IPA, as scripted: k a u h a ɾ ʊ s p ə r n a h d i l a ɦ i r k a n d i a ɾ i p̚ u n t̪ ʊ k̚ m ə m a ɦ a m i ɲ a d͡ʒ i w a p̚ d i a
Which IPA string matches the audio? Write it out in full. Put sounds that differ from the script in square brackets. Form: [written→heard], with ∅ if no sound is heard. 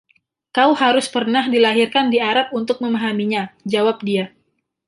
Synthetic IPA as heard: k a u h a ɾ ʊ s p ə r n a h d i l a ɦ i r k a n d i a ɾ [i→a] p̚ u n t̪ ʊ k̚ m ə m a ɦ a m i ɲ a d͡ʒ [i→a] w a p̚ d i a

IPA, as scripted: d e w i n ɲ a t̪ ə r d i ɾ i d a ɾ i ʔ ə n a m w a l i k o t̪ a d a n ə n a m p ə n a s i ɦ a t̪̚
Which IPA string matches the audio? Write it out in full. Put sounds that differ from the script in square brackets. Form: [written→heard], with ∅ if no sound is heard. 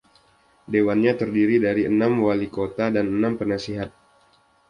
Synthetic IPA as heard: d e w [i→a] n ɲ a t̪ ə r d i ɾ i d a ɾ i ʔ ə n a m w a l i k o t̪ a d a n ə n a m p ə n a s i ɦ a t̪̚

